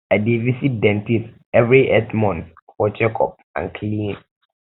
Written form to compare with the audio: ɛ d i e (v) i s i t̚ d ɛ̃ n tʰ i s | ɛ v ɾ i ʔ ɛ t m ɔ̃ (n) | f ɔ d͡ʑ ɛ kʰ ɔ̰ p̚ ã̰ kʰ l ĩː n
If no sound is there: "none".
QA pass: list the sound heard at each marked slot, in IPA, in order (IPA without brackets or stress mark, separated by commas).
v, n